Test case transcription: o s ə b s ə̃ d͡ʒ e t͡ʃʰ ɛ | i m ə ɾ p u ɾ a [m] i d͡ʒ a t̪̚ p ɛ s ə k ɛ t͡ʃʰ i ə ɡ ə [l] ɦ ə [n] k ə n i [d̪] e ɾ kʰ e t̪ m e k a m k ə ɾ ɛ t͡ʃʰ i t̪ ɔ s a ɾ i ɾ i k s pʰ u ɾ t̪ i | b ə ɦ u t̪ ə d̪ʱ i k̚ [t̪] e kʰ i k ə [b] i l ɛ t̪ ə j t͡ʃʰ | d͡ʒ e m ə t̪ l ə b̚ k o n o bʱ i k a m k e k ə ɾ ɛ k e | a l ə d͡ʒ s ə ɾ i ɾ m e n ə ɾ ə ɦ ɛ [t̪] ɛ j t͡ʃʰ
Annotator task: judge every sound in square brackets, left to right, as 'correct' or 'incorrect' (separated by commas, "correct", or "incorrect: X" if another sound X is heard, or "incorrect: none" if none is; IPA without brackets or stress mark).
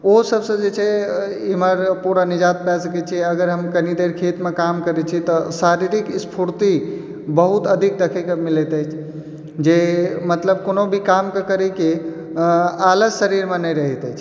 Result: incorrect: n, incorrect: ɾ, incorrect: m, correct, incorrect: d̪, incorrect: m, correct